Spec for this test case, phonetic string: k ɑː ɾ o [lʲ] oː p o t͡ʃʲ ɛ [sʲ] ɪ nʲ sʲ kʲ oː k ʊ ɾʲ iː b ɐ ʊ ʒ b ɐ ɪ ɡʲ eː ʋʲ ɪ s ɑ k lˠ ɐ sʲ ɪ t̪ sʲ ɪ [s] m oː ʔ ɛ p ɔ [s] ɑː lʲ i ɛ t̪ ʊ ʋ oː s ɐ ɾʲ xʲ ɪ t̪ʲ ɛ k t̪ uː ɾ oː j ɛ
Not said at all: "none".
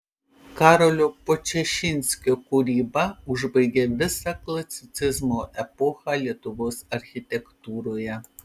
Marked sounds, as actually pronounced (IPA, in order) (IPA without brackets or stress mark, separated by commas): lʲ, ʃʲ, z, x